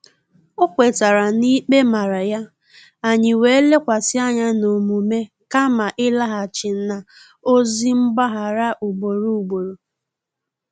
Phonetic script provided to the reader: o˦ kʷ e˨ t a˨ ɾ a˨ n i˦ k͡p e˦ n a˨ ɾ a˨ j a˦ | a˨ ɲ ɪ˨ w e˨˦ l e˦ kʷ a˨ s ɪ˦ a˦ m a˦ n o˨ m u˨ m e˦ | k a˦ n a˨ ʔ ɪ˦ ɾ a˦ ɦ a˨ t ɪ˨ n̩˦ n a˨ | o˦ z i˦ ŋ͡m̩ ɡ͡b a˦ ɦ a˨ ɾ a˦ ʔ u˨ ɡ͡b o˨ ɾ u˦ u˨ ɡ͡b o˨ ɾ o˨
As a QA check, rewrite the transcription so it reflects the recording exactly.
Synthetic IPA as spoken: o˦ kʷ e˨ t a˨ ɾ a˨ n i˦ k͡p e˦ m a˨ ɾ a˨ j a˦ | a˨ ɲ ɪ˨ w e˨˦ l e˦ kʷ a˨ s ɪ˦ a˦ ɲ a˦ n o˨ m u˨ m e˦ | k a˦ m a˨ ʔ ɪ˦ l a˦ ɦ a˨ t͡ʃ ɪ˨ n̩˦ n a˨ | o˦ z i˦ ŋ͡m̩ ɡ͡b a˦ ɦ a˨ ɾ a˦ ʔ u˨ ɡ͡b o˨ ɾ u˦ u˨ ɡ͡b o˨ ɾ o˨